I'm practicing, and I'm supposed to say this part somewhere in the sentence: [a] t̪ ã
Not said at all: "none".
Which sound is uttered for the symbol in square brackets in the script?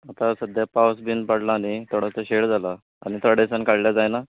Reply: a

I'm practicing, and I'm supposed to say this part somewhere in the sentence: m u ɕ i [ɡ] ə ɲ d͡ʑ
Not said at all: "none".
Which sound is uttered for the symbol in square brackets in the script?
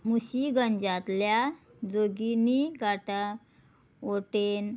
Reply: ɡ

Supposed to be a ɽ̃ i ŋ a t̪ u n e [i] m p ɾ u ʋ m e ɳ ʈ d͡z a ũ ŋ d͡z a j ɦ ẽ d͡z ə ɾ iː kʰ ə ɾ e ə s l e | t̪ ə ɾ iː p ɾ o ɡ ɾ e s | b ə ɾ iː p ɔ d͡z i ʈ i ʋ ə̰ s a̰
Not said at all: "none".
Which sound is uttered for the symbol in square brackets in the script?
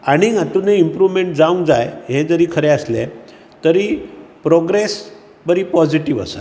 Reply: i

